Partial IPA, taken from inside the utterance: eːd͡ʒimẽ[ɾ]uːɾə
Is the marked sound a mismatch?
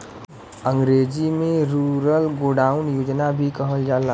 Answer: no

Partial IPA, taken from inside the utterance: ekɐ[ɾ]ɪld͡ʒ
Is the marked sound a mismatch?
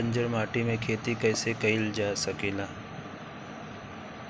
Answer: yes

